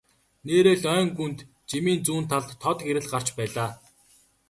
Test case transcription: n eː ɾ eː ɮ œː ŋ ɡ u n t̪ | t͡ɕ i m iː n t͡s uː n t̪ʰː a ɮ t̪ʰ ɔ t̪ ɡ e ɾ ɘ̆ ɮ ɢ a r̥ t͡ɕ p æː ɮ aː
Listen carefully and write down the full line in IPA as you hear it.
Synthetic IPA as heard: n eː ɾ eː ɮ œː ŋ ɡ u n t̪ | t͡ɕ i m iː n t͡s uː n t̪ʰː a ɮ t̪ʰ ɔ t̪ ɡ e ɾ ɘ̆ ɮ ɢ a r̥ t͡ɕ p æː ɮ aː

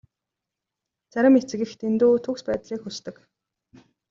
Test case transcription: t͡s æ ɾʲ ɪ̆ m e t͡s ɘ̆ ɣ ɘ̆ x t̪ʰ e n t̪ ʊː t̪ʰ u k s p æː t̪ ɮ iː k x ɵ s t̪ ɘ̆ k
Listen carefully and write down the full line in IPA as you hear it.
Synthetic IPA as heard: t͡s æ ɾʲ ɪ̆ m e t͡s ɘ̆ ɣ ɘ̆ x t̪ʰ e n t̪ uː t̪ʰ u k s p æː t̪ ɮ iː k x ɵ s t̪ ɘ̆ k

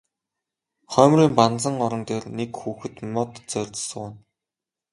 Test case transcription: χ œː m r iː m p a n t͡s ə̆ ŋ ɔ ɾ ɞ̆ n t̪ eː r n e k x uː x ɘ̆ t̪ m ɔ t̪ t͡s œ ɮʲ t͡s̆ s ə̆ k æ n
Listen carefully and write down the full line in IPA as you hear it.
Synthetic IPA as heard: χ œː m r iː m p a n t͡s ə̆ ŋ ɔ ɾ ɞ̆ n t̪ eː r n e k x uː x ɘ̆ t̪ m ɔ t̪ t͡s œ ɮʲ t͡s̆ s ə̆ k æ n

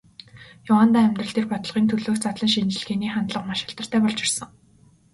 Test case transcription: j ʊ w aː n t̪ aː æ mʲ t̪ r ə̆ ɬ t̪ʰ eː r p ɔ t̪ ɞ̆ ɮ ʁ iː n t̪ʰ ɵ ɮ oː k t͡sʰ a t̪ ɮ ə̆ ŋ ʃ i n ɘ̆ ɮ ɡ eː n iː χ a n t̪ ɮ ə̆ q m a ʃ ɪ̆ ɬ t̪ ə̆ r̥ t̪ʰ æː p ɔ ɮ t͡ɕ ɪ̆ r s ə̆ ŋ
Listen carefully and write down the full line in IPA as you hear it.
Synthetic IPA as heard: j ʊ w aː n t̪ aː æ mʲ t̪ r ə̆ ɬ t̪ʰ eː r p ɔ t̪ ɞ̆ ɮ ʁ iː n t̪ʰ ɵ ɮ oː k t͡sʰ a t̪ ɮ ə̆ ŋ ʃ i n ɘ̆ ɮ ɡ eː n iː χ a n t̪ ɮ ə̆ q m a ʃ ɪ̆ ɬ t̪ ə̆ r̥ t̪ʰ æː p ɔ ɮ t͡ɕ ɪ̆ r s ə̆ ŋ

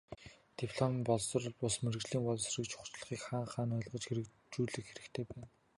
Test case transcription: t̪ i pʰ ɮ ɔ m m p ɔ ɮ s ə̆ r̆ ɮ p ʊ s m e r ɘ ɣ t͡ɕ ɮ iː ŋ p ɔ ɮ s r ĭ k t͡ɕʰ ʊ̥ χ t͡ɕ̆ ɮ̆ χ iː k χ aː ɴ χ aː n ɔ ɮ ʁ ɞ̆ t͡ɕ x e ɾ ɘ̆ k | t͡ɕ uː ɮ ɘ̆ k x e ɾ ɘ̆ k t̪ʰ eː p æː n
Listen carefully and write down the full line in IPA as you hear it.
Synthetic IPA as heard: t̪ i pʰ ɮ ɔ m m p ɔ ɮ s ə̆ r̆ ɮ p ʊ s m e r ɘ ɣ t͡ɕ ɮ iː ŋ p ɔ ɮ s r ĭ k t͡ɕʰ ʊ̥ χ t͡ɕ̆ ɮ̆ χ iː k χ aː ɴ χ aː n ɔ ɮ ʁ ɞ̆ t͡ɕ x e ɾ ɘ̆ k | t͡ɕ uː ɮ ɘ̆ k x e ɾ ɘ̆ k t̪ʰ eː p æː n

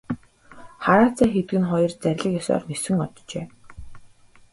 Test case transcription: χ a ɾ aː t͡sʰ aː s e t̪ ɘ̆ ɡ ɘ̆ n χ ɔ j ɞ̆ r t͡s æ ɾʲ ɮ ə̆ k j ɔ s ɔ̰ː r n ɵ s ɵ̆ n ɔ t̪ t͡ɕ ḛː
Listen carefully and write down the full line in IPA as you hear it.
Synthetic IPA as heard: χ a ɾ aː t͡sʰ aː x e t̪ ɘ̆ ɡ ɘ̆ n χ ɔ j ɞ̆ r t͡s æ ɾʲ ɮ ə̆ k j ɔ s ɔ̰ː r n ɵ s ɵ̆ ŋ ɔ t̪ t͡ɕ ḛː

